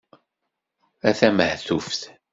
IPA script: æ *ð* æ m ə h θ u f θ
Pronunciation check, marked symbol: incorrect: θ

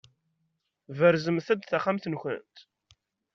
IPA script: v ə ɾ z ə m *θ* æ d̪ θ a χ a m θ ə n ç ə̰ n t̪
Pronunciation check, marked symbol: correct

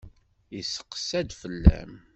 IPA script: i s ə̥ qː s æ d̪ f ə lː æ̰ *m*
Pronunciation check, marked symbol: correct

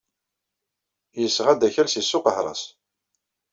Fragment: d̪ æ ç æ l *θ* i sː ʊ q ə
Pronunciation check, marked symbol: incorrect: s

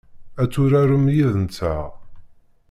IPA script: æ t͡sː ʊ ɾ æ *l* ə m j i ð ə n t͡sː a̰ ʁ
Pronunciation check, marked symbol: incorrect: ɾ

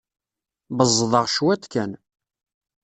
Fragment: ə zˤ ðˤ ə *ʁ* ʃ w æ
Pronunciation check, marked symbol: correct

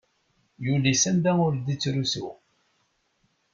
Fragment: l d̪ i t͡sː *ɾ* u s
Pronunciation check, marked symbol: correct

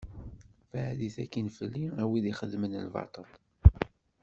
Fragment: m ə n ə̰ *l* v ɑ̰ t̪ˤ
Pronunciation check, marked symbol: correct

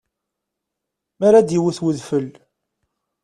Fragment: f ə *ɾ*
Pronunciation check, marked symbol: incorrect: l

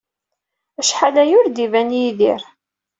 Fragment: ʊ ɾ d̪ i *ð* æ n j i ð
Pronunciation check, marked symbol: incorrect: v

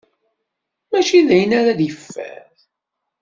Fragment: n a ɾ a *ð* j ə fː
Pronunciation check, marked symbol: correct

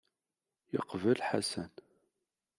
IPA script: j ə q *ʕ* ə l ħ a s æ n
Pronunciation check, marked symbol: incorrect: v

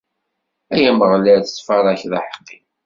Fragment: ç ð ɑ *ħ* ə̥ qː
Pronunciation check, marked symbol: correct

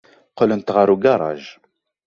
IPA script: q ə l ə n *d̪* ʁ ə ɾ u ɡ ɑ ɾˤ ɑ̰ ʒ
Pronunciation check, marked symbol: incorrect: t̪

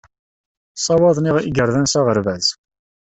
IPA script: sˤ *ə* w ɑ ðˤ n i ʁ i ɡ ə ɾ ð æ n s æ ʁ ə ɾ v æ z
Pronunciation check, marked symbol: incorrect: ɑ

